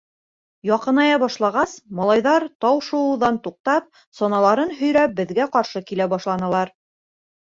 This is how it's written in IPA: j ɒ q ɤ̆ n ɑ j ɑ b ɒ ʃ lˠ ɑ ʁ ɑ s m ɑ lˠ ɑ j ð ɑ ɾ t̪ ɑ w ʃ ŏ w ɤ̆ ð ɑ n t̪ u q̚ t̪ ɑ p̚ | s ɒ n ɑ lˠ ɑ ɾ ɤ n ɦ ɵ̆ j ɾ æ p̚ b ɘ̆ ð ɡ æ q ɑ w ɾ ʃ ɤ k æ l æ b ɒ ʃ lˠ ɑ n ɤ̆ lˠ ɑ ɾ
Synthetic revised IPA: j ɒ q ɤ̆ n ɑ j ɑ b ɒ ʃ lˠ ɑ ʁ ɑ s m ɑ lˠ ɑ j ð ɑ ɾ t̪ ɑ w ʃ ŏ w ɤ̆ ð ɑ n t̪ u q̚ t̪ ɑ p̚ | s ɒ n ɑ lˠ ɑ ɾ ɤ n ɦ ɵ̆ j ɾ æ p̚ b ɘ̆ ð ɡ æ q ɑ ɾ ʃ ɤ k i l æ b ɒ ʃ lˠ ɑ n ɤ̆ lˠ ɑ ɾ